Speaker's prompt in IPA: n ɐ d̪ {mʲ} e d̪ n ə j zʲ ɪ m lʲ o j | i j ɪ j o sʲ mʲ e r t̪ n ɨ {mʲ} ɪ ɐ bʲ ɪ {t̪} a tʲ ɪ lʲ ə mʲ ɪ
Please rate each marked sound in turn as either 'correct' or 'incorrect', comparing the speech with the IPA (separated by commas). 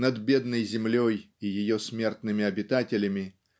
incorrect, correct, correct